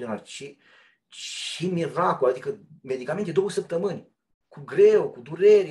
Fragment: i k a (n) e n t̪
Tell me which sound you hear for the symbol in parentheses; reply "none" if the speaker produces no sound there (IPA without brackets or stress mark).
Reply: m